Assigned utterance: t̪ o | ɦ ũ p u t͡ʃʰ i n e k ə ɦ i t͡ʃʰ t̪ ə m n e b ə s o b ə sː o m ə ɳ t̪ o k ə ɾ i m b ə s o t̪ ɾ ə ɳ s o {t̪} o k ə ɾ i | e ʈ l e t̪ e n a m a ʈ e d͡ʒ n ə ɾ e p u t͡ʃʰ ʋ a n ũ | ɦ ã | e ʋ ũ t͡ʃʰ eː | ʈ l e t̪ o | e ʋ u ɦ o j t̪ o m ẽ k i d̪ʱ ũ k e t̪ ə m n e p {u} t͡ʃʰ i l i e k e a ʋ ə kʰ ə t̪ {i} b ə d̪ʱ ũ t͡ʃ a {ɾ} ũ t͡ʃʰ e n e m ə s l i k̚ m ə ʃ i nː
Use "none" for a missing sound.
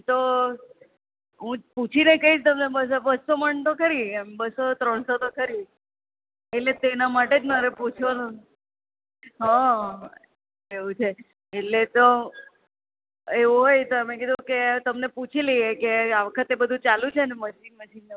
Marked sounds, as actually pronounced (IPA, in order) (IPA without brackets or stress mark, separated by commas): t̪, u, e, l